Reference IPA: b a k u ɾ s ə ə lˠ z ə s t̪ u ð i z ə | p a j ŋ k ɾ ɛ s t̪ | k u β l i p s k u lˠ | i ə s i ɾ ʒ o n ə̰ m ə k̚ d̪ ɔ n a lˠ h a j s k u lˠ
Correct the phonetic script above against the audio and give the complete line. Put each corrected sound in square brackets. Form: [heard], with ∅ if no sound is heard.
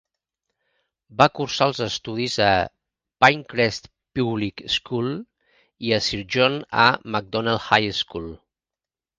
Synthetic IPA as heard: b a k u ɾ s [a] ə lˠ z ə s t̪ u ð i z ə | p a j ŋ k ɾ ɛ s t̪ | [p] u β l i [k] s k u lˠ | i ə s i ɾ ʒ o n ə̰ m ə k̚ d̪ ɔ n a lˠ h a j s k u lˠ